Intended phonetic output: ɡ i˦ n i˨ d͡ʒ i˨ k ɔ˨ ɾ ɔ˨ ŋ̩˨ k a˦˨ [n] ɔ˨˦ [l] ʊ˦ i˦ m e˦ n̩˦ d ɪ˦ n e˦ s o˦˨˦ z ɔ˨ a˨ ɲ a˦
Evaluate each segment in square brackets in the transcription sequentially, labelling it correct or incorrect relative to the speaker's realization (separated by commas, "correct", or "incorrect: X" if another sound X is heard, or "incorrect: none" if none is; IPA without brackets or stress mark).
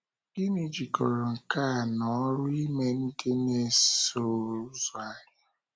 correct, incorrect: ɾ